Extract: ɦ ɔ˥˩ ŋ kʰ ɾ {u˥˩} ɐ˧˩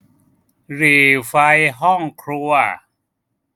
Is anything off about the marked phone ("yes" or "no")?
yes